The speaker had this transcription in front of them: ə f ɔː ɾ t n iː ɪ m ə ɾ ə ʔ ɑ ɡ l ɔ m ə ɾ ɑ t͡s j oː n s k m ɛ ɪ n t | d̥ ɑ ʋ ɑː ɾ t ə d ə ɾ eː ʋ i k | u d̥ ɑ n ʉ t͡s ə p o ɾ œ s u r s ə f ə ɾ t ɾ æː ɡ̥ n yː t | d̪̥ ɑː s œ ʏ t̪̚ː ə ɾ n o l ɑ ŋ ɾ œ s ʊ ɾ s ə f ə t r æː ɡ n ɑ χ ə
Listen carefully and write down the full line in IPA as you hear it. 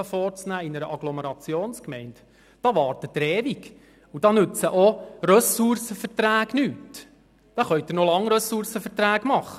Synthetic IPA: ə f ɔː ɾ t͡s n æː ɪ n ə ɾ ə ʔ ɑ ɡ l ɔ m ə ɾ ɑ t͡s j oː n s k m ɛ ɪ n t | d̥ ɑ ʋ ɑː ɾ t ə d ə ɾ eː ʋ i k | u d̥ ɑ n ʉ t͡s ə ʔ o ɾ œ s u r s ə f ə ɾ t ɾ æː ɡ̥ n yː t | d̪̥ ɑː χ œ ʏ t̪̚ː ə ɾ n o l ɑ ŋ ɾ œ s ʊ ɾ s ə f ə t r æː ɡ m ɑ χ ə